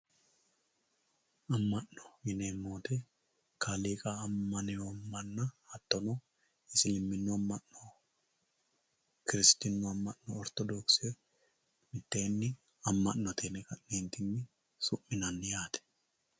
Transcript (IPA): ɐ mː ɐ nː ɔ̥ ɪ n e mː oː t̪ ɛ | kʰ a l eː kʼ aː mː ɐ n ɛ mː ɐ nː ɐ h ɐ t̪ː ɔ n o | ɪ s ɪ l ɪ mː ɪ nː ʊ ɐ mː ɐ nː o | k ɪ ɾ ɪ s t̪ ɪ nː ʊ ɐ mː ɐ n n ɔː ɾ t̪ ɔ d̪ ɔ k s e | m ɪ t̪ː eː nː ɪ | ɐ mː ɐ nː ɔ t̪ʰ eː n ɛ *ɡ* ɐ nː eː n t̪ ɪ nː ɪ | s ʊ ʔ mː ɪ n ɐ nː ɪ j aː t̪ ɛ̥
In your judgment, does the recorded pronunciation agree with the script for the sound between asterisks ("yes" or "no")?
no